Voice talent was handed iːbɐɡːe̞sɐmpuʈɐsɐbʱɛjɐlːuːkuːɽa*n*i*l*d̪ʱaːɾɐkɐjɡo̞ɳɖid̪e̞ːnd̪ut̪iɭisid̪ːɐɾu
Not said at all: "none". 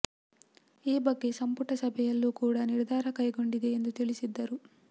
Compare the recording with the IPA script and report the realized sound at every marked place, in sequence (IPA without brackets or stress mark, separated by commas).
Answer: n, ɾ